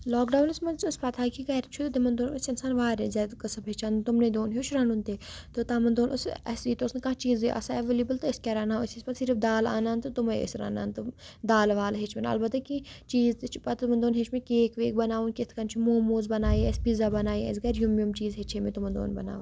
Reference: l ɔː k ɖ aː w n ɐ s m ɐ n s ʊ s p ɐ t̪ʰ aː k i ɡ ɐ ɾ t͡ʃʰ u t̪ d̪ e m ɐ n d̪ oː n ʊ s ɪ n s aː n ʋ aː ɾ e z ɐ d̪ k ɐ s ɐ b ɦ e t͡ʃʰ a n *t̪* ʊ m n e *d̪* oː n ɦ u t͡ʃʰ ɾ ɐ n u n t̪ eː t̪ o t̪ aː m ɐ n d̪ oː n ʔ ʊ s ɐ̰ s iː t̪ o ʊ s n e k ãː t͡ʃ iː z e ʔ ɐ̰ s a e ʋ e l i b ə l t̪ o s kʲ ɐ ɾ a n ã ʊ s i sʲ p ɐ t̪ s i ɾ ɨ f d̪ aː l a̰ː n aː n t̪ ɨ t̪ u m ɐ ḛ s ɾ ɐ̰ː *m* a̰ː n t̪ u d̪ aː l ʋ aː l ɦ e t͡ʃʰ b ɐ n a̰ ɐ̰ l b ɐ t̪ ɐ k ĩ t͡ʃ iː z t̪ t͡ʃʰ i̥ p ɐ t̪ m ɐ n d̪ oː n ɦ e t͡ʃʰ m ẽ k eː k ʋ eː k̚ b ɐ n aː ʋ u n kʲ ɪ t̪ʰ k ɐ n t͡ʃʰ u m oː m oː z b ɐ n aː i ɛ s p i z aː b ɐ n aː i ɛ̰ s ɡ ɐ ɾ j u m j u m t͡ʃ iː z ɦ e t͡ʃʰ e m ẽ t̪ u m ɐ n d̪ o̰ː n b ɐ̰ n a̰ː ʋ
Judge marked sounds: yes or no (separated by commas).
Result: yes, yes, no